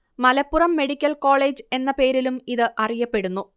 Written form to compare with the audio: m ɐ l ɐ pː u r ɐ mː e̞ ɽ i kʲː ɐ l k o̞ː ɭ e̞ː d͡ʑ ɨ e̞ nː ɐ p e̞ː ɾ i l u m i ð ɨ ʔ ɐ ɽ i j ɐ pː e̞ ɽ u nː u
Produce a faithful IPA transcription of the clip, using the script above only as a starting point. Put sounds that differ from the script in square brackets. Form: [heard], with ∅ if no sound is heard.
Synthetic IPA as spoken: m ɐ l ɐ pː u r ɐ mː e̞ ɽ i kʲː ɐ l k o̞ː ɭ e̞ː d͡ʑ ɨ e̞ nː ɐ p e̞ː ɾ i l u m i ð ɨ ʔ ɐ [r] i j ɐ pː e̞ ɽ u nː u